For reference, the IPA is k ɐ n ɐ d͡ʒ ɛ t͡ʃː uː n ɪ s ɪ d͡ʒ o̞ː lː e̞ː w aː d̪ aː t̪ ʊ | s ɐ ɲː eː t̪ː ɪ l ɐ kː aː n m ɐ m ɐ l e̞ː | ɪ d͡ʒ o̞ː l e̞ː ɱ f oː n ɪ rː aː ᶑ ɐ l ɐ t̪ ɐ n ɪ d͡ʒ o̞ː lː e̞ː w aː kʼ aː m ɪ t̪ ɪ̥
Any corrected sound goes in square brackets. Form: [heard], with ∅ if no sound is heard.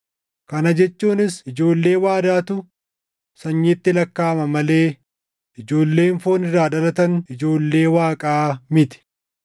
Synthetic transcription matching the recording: k ɐ n ɐ d͡ʒ ɛ t͡ʃː uː n ɪ s ɪ d͡ʒ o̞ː lː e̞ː w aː d̪ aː t̪ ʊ | s ɐ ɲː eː t̪ː ɪ l ɐ kː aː [∅] m ɐ m ɐ l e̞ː | ɪ d͡ʒ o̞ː [lː] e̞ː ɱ f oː n ɪ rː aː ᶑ ɐ l ɐ t̪ ɐ n ɪ d͡ʒ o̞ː lː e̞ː w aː kʼ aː m ɪ t̪ ɪ̥